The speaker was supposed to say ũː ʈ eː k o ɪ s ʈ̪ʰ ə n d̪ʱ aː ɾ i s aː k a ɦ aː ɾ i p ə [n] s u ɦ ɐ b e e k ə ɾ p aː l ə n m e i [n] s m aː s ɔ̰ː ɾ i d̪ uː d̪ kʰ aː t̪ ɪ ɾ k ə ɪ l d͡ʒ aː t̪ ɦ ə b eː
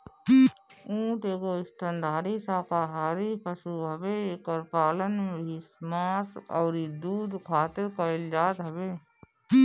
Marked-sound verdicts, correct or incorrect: incorrect, incorrect

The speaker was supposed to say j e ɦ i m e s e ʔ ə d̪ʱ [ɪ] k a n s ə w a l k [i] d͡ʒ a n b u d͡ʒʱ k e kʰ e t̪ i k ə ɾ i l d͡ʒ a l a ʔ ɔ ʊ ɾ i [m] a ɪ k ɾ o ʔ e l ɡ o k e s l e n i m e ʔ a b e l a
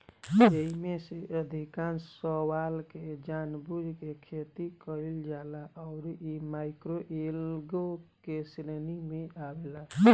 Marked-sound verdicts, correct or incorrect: incorrect, incorrect, correct

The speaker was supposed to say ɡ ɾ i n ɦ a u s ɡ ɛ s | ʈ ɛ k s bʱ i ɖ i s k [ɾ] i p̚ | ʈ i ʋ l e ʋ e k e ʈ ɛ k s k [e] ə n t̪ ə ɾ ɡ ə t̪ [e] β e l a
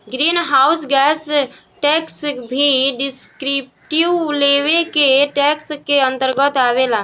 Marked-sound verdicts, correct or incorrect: correct, correct, incorrect

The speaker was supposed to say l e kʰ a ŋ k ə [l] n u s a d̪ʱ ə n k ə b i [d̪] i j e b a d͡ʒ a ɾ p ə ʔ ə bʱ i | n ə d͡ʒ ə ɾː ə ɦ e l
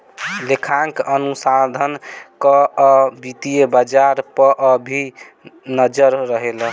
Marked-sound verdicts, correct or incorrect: incorrect, incorrect

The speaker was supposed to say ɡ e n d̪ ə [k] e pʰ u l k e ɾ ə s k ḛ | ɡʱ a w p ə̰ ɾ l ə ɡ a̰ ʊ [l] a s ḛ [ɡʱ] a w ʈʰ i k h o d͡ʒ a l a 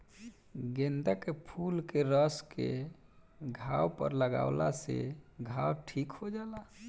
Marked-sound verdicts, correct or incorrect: correct, correct, correct

